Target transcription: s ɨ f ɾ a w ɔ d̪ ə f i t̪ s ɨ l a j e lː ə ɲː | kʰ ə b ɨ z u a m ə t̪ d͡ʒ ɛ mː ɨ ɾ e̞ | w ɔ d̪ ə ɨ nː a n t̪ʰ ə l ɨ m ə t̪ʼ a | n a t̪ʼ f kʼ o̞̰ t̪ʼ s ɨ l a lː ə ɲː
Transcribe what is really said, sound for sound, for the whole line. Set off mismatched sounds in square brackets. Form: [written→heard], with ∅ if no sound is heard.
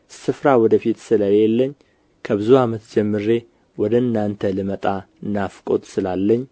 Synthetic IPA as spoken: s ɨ f ɾ a w ɔ d̪ ə f i t̪ s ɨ l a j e lː ə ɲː | kʰ ə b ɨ z u a m ə t̪ d͡ʒ ɛ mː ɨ ɾ e̞ | w ɔ d̪ ə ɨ nː a n t̪ʰ ə l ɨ m ə t̪ʼ a | n a [t̪ʼ→∅] f kʼ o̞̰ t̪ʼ s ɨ l a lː ə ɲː